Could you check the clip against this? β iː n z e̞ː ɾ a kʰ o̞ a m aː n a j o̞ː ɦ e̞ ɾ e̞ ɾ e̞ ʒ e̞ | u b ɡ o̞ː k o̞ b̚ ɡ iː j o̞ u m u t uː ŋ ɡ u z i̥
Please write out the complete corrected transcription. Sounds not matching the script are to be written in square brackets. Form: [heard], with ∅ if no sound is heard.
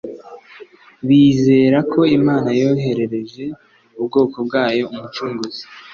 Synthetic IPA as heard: β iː [∅] z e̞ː ɾ a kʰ o̞ [i] m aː n a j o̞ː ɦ e̞ ɾ e̞ ɾ e̞ ʒ e̞ | u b ɡ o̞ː k o̞ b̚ ɡ [aː] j o̞ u m u [t͡ʃ] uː ŋ ɡ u z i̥